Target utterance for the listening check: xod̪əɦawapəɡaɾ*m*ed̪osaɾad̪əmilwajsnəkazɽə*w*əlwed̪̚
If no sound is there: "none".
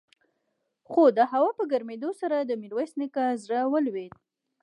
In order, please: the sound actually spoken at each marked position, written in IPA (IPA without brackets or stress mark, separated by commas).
m, w